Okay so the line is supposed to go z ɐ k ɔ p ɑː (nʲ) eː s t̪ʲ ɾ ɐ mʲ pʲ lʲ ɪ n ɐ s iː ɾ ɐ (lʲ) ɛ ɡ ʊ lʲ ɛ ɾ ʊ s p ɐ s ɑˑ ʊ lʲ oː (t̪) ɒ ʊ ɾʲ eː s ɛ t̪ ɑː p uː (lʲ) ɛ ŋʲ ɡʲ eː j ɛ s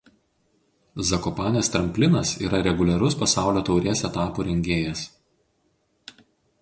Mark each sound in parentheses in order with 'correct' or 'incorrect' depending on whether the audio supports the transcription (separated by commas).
correct, incorrect, correct, incorrect